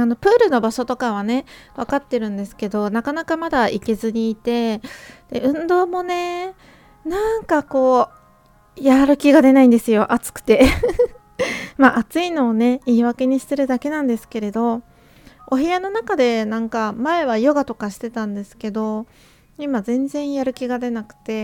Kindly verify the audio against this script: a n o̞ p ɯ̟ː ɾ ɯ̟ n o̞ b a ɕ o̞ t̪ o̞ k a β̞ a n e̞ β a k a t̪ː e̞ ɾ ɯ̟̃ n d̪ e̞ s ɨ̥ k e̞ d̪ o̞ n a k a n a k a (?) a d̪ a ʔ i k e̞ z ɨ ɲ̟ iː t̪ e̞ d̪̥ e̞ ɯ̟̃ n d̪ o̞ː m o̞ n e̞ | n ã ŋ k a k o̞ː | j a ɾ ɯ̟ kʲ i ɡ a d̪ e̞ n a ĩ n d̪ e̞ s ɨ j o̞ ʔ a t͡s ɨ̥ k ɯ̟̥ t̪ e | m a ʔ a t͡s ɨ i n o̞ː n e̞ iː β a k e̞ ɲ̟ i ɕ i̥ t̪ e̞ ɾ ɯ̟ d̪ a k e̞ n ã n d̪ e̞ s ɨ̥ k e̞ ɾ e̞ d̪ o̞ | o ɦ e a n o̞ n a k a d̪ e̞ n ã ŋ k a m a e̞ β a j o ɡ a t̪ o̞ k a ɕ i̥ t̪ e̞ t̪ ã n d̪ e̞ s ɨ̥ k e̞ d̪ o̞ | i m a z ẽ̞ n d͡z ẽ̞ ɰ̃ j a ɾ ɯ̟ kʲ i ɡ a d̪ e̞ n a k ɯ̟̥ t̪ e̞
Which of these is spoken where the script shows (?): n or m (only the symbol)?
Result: m